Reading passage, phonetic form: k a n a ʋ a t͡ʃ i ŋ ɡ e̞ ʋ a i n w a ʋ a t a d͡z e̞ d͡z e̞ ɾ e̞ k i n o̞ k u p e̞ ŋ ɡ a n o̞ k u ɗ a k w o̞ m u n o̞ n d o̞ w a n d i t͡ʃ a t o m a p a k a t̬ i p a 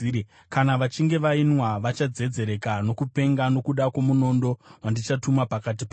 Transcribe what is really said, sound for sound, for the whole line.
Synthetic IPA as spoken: k a n a ʋ a t͡ʃ i ŋ ɡ e̞ ʋ a i n w a ʋ a t͡ʃ a d͡z e̞ d͡z e̞ ɾ e̞ k a n o̞ k u p e̞ ŋ ɡ a n o̞ k u ɗ a k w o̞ m u n o̞ n d o̞ w a n d i t͡ʃ a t u m a p a k a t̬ i p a

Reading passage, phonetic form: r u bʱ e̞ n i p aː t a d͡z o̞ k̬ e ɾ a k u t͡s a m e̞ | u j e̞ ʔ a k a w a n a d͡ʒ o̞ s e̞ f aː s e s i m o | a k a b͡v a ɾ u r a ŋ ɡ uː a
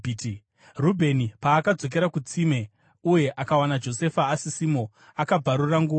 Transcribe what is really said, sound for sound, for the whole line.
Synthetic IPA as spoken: r u bʱ e̞ n i p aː k a d͡z o̞ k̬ e ɾ a k u t͡s i m e̞ | u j e̞ ʔ a k a w a n a d͡ʒ o̞ s e̞ f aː s i s i m o | a k a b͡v a ɾ u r a ŋ ɡ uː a

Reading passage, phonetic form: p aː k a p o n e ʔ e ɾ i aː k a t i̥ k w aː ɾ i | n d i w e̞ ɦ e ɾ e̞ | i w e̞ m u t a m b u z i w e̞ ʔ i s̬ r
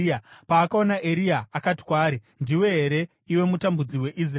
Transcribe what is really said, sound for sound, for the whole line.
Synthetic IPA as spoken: p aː k a o n a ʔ e ɾ i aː k a t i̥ k w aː ɾ i | n d i w e̞ ɦ e ɾ e̞ | i w e̞ m u t a m b u d͡z i w e̞ ʔ i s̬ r

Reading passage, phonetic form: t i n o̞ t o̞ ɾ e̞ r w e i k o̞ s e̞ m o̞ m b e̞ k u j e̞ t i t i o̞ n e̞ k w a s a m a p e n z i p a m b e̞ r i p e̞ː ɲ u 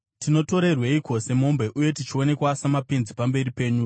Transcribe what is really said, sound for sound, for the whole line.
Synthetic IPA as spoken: t i n o̞ t o̞ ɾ e̞ r w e i k o̞ s e̞ m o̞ m b e̞ ʔ u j e̞ t i t͡ʃ i o̞ n e̞ k w a s a m a p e n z i p a m b e̞ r i p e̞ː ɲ u

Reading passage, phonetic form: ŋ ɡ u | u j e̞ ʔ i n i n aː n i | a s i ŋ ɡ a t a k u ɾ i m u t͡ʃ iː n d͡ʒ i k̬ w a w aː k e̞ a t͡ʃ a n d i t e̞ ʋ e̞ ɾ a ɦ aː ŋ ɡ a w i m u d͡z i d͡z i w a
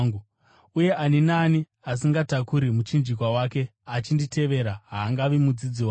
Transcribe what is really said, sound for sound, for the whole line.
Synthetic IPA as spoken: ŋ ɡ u | u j e̞ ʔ a n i n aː n i | a s i ŋ ɡ a t a k u ɾ i m u t͡ʃ i n d͡ʒ i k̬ w a w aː k e̞ a t͡ʃ i n d i t e̞ ʋ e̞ ɾ a ɦ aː ŋ ɡ a ʋ i m u d͡z i d͡z i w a

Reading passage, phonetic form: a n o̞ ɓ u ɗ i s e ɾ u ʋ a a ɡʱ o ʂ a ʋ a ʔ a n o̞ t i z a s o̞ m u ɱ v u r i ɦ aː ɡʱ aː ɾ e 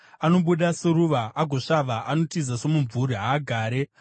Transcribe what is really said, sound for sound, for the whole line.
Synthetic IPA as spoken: a n o̞ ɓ u ɗ a s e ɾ u ʋ a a ɡʱ o ʂ a ʋ a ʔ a n o̞ t i z a s o̞ m u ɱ v u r i ɦ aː ɡʱ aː ɾ e

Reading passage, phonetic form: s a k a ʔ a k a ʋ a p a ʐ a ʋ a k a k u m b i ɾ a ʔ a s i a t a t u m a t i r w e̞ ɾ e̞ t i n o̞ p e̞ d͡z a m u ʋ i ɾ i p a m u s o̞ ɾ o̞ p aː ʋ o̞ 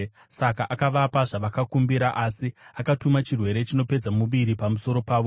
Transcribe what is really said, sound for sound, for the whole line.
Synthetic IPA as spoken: s a k a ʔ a k a ʋ a p a ʐ a ʋ a k a k u m b i ɾ a ʔ a s i a k a t u m a t͡ʃ i r w e̞ ɾ e̞ t͡ʃ i n o̞ p e̞ d͡z a m u ʋ i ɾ i p a m u s o̞ ɾ o̞ p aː ʋ o̞

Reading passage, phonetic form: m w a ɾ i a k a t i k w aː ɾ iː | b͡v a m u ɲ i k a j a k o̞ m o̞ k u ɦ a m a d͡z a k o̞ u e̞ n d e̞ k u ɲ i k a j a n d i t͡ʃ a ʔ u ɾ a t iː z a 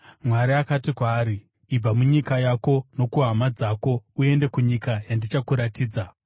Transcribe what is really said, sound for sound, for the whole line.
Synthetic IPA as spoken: m w a ɾ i a k a t i k w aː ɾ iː | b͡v a m u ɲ i k a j a k o̞ n o̞ k u ɦ a m a d͡z a k o̞ u e̞ n d e̞ k u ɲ i k a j a n d i t͡ʃ a k u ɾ a t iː d͡z a

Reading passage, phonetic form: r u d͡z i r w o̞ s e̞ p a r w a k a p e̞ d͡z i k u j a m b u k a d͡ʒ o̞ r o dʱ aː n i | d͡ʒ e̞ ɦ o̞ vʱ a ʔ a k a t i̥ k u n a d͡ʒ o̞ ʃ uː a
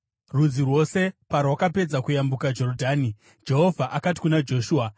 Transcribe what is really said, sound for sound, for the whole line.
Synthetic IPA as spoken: r u d͡z i r w o̞ s e̞ p a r w a k a p e̞ d͡z a k u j a m b u k a d͡ʒ o̞ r o dʱ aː n i | d͡ʒ e̞ ɦ o̞ vʱ a ʔ a k a t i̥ k u n a d͡ʒ o̞ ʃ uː a

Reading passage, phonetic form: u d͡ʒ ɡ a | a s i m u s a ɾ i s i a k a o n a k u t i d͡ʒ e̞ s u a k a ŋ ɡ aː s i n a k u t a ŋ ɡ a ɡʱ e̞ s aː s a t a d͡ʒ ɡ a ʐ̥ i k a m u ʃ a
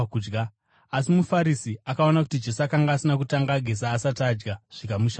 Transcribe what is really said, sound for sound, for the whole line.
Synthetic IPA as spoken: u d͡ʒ ɡ a | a s i m u f a ɾ i s i a k a o n a k u t i d͡ʒ e̞ s u a k a ŋ ɡ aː s i n a k u t a ŋ ɡ a ɡʱ e̞ s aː s a t a d͡ʒ ɡ a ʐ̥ i k a m u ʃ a

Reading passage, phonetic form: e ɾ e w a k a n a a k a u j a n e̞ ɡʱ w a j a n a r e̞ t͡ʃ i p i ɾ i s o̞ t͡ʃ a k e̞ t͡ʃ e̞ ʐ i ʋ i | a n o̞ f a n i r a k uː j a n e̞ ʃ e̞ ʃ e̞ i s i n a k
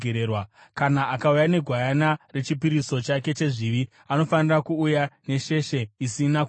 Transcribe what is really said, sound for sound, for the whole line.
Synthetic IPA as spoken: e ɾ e w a k a n a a k a u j a n e̞ ɡʱ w a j a n a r e̞ t͡ʃ i p i ɾ i s o̞ t͡ʃ a k e̞ t͡ʃ e̞ ʐ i ʋ i | a n o̞ f a n i r a k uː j a n e̞ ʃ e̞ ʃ e̞ i s i n a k

